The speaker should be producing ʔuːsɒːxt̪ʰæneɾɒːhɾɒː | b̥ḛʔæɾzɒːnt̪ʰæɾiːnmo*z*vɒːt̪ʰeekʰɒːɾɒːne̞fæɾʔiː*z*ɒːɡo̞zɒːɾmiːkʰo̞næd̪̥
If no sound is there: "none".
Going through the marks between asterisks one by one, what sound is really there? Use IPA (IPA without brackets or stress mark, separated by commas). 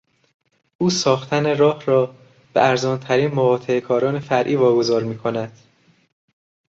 none, v